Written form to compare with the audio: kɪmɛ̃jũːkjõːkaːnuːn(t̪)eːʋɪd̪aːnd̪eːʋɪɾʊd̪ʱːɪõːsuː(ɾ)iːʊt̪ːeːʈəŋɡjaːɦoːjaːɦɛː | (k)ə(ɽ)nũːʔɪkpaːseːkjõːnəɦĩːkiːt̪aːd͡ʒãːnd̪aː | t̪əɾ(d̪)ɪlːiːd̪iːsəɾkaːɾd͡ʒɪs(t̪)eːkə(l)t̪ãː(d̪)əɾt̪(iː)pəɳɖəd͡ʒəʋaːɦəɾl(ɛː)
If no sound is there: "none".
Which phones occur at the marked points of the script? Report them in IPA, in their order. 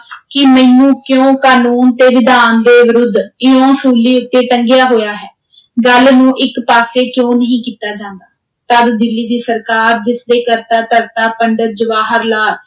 t̪, l, ɡ, l, d̪, d̪, ɾ, t̪, aː, aː

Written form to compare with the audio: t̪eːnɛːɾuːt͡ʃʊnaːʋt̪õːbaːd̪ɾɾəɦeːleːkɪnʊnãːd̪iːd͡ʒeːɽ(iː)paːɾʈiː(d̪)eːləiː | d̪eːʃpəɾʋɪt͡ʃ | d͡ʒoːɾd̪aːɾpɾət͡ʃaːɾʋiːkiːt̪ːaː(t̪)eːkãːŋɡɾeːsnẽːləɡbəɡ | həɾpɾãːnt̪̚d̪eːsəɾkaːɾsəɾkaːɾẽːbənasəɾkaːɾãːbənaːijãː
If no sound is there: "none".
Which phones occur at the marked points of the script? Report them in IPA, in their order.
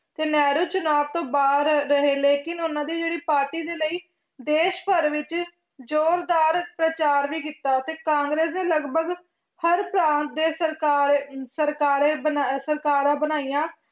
iː, d̪, t̪

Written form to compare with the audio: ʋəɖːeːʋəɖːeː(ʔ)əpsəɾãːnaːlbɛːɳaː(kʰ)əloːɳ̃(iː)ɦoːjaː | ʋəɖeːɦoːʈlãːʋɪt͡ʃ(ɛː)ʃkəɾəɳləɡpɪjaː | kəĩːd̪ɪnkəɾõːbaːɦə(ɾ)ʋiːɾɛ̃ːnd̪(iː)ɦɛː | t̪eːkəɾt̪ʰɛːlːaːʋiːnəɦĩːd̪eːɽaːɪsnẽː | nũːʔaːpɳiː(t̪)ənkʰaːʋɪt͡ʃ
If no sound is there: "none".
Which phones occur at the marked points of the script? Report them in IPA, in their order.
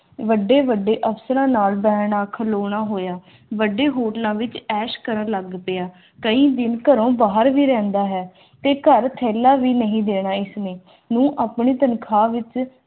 ʔ, kʰ, aː, ɛː, ɾ, aː, t̪

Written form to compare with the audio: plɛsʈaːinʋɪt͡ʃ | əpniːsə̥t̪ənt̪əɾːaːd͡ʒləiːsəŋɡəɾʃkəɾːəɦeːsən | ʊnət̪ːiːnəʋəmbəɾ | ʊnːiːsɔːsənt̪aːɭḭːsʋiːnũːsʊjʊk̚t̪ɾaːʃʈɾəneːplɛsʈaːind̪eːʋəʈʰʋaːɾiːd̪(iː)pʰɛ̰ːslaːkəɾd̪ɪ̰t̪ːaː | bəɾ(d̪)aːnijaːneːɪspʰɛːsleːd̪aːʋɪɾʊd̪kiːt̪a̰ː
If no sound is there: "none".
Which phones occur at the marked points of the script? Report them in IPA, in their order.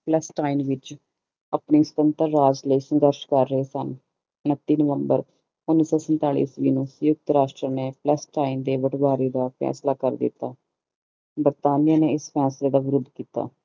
aː, t̪

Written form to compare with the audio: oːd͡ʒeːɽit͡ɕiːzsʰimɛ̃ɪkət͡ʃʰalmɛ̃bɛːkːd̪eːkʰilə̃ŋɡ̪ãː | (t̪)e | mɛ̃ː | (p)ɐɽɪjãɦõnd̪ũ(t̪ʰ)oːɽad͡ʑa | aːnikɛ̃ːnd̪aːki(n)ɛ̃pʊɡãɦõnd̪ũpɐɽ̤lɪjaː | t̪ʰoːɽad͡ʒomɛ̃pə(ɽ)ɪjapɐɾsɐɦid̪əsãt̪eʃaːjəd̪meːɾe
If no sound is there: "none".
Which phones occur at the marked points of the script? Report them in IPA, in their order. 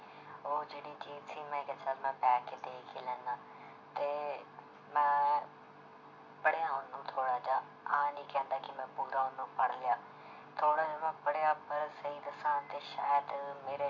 t̪, p, t̪ʰ, m, ɽ

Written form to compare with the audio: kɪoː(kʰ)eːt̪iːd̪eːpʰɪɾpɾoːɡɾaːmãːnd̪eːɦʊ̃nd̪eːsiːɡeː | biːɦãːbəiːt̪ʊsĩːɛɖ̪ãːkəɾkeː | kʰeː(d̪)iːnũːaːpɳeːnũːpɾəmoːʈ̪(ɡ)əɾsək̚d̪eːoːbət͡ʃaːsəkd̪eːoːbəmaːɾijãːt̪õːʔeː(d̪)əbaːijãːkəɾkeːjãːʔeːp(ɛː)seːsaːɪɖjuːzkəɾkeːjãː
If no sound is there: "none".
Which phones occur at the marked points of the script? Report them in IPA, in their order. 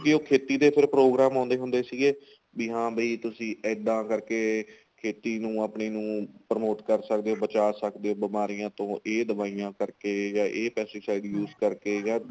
kʰ, t̪, k, d̪, ɛː

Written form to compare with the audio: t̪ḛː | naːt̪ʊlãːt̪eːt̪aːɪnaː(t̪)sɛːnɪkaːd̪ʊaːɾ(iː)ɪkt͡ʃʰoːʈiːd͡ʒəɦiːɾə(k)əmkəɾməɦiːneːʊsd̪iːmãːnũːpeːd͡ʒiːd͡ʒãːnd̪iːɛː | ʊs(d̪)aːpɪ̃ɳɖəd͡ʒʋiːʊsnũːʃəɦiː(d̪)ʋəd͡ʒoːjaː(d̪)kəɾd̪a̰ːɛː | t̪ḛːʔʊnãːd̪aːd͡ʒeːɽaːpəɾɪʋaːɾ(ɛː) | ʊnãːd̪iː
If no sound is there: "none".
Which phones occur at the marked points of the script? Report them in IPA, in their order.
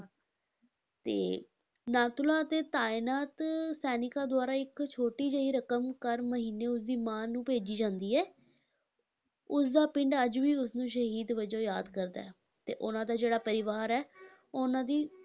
t̪, aː, k, d̪, d̪, d̪, ɛː

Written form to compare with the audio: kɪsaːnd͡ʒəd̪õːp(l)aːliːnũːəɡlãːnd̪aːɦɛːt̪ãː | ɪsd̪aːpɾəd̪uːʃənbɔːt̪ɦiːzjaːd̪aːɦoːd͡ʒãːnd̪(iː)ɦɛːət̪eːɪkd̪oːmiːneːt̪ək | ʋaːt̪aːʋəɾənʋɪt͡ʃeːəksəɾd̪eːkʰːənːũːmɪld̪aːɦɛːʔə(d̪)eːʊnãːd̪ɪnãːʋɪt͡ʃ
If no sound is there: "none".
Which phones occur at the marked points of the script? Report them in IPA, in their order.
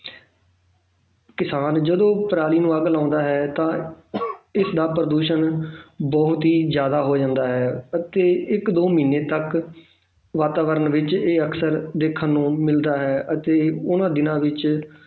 ɾ, aː, t̪

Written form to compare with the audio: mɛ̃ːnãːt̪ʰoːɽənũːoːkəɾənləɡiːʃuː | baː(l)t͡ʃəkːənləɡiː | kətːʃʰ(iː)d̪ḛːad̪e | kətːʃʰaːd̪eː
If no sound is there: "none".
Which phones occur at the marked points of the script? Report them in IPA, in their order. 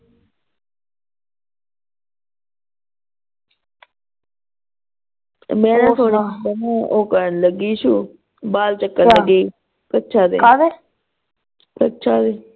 l, aː

